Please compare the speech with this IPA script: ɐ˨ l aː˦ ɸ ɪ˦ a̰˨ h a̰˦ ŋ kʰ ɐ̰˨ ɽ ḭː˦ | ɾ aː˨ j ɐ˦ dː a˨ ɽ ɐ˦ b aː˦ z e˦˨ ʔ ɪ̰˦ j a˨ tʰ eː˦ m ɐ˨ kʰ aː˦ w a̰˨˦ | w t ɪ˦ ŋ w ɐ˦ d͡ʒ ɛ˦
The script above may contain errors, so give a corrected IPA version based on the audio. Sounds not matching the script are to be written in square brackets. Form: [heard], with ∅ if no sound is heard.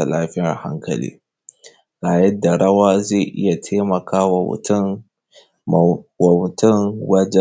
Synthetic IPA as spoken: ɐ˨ l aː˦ ɸ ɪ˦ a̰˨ h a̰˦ ŋ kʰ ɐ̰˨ [l] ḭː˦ | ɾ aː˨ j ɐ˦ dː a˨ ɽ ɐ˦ [w] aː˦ z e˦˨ ʔ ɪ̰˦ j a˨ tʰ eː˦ m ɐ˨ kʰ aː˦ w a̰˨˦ | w t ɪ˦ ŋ w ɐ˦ d͡ʒ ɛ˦